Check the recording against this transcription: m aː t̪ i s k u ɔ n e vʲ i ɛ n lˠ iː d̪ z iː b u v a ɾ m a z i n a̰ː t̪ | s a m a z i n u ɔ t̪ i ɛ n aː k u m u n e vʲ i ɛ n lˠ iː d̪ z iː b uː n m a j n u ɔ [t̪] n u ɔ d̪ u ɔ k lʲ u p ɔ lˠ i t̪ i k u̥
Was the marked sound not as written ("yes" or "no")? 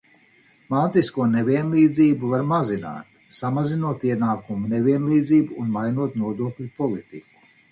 no